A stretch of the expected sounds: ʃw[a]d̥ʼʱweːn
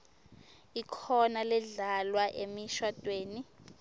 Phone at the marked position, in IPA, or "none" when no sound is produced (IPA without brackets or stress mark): a